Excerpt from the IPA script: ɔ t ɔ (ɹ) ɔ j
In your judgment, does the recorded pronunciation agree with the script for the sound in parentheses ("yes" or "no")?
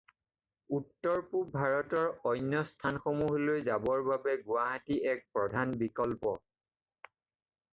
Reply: yes